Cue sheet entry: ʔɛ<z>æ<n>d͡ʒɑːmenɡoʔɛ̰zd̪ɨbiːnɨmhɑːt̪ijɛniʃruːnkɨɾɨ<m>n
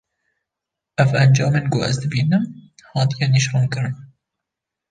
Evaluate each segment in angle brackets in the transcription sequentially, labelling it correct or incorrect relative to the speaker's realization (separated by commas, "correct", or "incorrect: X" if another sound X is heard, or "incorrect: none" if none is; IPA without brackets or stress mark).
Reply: incorrect: v, correct, incorrect: none